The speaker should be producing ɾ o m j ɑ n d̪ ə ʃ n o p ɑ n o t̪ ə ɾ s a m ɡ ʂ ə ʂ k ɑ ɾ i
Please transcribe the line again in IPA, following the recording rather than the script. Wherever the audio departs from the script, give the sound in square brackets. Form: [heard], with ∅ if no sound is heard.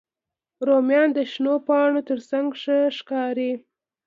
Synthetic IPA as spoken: ɾ o m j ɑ n d̪ ə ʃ n o p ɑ [ɳ] o t̪ ə ɾ s a [ŋ] ɡ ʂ ə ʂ k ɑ ɾ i